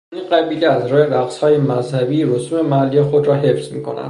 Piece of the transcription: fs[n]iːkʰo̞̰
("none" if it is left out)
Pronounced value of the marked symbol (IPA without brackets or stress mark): m